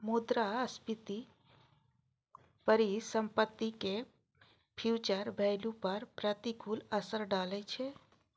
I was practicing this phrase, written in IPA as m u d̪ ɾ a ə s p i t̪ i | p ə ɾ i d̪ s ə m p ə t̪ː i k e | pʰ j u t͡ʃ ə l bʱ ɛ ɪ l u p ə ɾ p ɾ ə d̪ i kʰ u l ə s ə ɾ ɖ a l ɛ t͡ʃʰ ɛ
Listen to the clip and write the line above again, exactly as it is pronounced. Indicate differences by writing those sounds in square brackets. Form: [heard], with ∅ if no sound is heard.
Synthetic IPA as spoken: m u d̪ ɾ a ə s p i t̪ i | p ə ɾ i [∅] s ə m p ə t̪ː i k e | pʰ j u t͡ʃ ə [ɾ] bʱ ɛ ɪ l u p ə ɾ p ɾ ə [t̪] i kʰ u l ə s ə ɾ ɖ a l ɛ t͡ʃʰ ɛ